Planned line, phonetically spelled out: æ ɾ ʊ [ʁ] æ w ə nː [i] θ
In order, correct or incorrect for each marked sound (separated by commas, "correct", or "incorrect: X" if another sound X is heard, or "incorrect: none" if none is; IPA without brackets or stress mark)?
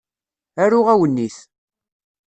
correct, correct